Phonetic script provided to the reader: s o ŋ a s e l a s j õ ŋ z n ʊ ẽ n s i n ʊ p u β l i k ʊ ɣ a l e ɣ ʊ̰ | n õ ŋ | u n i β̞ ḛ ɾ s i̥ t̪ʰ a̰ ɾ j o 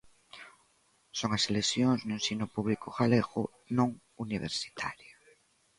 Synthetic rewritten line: s o ŋ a s e l e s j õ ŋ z n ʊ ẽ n s i n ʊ p u β l i k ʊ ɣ a l e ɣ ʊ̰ | n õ ŋ | u n i β̞ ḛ ɾ s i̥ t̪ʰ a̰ ɾ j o